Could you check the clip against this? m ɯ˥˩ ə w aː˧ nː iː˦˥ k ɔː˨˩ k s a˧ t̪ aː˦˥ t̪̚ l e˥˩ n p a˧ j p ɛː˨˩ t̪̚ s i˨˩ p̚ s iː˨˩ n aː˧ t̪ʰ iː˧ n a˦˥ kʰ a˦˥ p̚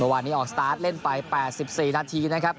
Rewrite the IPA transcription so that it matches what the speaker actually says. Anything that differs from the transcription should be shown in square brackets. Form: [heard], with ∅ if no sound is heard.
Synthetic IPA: m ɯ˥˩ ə w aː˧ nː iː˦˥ [ʔ] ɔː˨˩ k s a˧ t̪ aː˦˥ t̪̚ l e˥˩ n p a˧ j p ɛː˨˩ t̪̚ s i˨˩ p̚ s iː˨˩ n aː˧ t̪ʰ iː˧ n a˦˥ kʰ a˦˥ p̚